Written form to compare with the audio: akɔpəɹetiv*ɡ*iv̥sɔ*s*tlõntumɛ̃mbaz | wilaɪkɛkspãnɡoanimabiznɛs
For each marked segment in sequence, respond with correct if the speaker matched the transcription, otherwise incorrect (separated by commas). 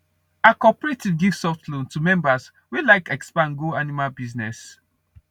correct, incorrect